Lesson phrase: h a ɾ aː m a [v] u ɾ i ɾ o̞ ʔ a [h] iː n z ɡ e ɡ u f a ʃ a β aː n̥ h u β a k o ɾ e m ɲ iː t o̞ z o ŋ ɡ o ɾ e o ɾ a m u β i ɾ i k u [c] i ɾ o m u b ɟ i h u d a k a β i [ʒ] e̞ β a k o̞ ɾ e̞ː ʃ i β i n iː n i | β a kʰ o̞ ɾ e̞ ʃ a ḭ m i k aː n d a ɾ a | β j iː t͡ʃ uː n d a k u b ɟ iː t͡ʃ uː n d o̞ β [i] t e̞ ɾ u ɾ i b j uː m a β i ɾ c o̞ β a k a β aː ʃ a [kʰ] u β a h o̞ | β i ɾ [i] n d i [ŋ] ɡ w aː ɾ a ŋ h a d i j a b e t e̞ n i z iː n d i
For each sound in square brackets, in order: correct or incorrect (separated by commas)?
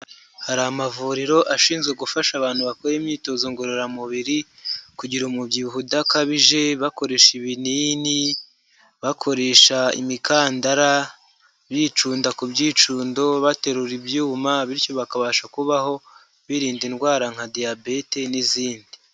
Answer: correct, incorrect, incorrect, correct, incorrect, incorrect, incorrect, incorrect